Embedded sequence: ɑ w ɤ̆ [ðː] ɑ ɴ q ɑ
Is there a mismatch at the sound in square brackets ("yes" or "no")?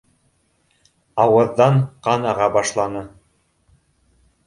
no